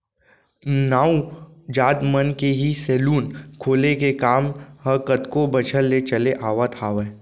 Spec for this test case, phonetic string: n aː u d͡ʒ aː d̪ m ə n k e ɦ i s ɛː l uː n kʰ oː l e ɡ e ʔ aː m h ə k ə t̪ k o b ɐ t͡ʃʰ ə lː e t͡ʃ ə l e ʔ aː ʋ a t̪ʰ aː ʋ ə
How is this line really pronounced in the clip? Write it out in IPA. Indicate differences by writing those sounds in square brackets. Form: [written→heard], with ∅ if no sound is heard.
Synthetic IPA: n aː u d͡ʒ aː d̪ m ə n k e ɦ i s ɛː l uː n kʰ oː l e [ɡ→k] e [ʔ→k] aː m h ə k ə t̪ k o b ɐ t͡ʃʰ ə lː e t͡ʃ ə l e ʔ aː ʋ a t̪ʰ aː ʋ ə